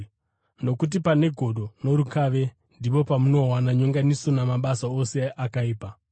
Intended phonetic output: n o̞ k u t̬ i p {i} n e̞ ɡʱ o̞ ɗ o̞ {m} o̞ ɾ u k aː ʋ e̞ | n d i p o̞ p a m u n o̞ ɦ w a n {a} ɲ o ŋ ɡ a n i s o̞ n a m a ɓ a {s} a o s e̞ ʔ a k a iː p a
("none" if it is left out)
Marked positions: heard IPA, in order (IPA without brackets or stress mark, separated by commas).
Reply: a, n, a, s